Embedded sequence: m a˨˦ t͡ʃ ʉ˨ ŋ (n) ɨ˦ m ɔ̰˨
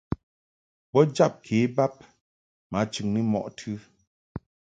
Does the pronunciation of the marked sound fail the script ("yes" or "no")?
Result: no